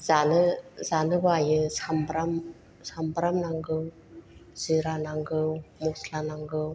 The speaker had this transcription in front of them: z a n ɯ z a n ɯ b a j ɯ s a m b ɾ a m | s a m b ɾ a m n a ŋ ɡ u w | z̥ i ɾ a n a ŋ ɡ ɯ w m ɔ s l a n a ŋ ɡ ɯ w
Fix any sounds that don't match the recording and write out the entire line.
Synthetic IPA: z a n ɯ z a n ɯ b a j ɯ s a m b ɾ a m | s a m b ɾ a m n a ŋ ɡ ɯ w | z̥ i ɾ a n a ŋ ɡ ɯ w m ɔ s l a n a ŋ ɡ ɯ w